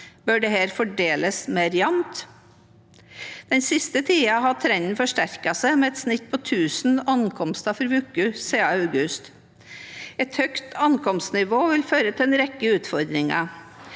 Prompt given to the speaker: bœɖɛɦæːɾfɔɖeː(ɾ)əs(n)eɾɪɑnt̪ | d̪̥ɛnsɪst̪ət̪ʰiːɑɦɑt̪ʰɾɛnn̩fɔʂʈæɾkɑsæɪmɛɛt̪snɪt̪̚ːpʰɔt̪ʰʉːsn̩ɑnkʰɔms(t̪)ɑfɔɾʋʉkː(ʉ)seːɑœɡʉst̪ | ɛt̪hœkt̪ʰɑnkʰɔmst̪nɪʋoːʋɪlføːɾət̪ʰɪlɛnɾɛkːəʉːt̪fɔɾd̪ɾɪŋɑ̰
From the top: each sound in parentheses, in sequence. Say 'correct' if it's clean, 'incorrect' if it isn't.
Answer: incorrect: l, incorrect: m, correct, correct

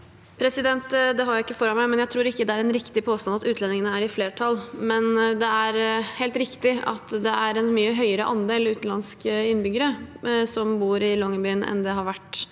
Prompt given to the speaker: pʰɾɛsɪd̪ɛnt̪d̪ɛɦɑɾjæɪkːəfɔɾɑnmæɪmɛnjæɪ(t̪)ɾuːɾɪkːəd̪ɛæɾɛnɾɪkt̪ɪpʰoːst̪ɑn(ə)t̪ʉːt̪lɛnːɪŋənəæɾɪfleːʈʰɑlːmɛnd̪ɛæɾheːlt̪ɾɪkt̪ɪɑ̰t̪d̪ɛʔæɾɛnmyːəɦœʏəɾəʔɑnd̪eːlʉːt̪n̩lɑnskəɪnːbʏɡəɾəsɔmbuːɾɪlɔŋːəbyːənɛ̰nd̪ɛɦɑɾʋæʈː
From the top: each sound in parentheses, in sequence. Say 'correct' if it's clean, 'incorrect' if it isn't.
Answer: incorrect: t̪ʰ, incorrect: ɑ

